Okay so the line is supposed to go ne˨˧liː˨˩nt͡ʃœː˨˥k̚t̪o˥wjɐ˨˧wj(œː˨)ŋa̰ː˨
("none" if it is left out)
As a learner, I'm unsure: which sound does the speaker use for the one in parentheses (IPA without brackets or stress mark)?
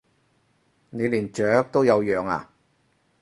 œː˨